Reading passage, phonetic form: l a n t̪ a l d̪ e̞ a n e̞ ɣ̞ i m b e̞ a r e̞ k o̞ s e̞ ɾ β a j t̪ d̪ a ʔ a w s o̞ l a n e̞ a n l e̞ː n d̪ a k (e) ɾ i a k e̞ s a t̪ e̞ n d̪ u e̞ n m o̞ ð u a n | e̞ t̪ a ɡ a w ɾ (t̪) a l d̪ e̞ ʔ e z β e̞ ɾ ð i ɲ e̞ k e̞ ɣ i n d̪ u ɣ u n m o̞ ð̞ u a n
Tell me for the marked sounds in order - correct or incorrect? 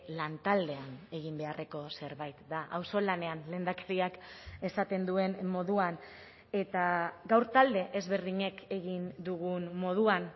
correct, correct

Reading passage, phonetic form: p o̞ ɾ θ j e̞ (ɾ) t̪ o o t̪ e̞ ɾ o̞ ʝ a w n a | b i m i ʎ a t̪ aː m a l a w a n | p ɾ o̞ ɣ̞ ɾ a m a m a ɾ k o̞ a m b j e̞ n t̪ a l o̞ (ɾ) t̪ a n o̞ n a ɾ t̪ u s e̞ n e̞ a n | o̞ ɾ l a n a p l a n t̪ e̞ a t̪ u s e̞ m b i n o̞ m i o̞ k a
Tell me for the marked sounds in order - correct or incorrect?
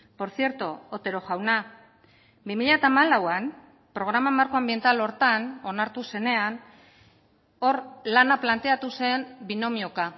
correct, correct

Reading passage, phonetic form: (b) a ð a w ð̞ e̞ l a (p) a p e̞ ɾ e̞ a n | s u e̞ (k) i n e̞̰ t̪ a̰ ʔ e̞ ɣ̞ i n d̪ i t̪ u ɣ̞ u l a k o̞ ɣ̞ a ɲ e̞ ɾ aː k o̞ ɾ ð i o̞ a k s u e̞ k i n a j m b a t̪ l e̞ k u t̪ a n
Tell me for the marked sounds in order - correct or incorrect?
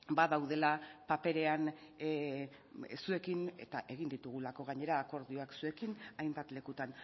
correct, correct, correct

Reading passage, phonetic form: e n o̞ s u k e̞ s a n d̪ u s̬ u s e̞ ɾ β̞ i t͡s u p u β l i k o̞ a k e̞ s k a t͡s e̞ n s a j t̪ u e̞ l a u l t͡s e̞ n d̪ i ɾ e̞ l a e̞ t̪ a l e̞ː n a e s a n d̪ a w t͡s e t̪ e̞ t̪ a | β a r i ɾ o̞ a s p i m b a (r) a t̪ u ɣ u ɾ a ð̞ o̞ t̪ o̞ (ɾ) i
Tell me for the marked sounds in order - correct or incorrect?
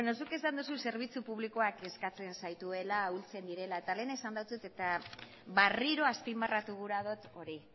correct, correct

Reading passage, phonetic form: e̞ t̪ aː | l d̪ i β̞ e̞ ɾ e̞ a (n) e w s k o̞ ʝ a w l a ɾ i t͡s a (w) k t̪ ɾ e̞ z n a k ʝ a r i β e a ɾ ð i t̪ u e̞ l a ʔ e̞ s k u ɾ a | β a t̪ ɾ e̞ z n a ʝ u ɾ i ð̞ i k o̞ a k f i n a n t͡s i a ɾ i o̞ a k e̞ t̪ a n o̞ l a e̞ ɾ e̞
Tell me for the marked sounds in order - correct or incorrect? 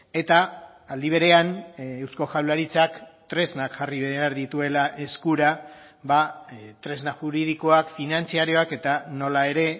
correct, incorrect

